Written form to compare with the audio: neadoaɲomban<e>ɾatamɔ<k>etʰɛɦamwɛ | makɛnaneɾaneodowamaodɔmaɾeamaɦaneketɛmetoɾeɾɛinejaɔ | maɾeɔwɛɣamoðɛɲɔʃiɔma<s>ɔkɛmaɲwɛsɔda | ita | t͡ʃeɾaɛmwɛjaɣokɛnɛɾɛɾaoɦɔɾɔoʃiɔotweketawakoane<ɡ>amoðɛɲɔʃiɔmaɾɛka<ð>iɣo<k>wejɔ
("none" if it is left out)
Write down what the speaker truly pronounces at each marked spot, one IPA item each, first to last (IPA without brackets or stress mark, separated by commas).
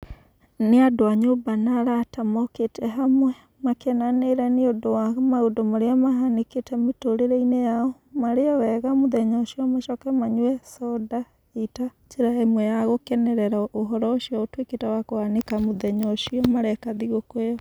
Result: a, k, ʃ, k, ð, k